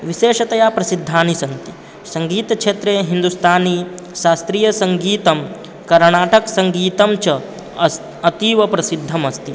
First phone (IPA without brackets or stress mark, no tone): ʋ